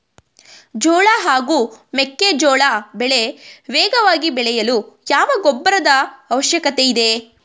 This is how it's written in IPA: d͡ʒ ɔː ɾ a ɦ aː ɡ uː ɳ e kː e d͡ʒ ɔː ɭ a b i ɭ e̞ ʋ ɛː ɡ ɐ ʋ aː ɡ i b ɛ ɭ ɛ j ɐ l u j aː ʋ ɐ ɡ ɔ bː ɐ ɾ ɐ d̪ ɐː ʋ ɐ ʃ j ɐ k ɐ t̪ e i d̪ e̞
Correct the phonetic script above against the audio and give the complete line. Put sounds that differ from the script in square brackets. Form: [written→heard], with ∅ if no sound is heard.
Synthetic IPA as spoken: d͡ʒ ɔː [ɾ→ɭ] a ɦ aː ɡ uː [ɳ→m] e kː e d͡ʒ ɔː ɭ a b [i→ɛ] ɭ e̞ ʋ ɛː ɡ ɐ ʋ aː ɡ i b ɛ ɭ ɛ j ɐ l u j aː ʋ ɐ ɡ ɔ bː ɐ ɾ ɐ d̪ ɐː ʋ ɐ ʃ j ɐ k ɐ t̪ e i d̪ e̞